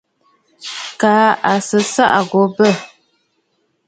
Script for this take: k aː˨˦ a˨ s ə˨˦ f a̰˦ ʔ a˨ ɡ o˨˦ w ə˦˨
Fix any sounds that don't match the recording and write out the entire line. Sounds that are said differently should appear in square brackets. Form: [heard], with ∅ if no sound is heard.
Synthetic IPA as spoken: k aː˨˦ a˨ s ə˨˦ [s] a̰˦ ʔ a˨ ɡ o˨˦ [b] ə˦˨

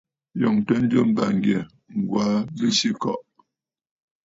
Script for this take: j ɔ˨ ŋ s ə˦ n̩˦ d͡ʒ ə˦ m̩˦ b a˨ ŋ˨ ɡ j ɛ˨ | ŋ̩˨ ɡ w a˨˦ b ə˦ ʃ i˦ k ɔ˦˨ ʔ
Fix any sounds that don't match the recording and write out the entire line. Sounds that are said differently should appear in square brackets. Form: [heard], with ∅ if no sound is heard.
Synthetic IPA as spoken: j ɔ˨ ŋ [t] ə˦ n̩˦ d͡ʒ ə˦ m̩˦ b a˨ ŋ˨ ɡ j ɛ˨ | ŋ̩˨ ɡ w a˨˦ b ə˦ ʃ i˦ k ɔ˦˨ ʔ

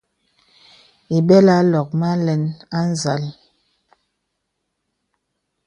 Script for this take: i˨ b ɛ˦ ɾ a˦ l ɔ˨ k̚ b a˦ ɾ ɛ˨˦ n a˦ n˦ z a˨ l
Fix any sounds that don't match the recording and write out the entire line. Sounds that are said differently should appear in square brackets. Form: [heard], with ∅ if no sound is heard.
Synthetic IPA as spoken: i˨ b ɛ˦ [l] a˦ l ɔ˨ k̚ [m] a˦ [l] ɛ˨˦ n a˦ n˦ z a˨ l

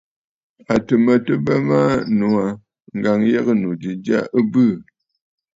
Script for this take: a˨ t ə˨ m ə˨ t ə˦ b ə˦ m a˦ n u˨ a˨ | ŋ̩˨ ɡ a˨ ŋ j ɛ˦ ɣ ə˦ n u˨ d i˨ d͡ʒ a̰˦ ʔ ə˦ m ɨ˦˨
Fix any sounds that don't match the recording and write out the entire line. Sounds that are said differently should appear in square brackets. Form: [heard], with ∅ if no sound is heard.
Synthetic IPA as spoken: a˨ t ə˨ m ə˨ t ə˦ b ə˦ m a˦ n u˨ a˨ | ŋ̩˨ ɡ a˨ ŋ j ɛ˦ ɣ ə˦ n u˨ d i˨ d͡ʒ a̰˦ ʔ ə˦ [b] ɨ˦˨

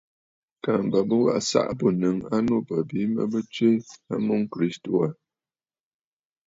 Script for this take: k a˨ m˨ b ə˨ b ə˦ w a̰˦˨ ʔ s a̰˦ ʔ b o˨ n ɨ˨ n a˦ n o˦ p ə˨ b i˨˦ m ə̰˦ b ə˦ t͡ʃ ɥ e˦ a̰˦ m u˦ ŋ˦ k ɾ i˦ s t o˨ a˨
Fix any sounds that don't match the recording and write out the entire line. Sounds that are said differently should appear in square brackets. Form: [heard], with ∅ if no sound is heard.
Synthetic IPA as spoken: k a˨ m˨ b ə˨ b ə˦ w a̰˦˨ ʔ s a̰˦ ʔ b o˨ n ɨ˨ [ŋ] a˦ n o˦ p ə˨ b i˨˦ m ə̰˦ b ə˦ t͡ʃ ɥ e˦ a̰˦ m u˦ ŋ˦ k ɾ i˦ s t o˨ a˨

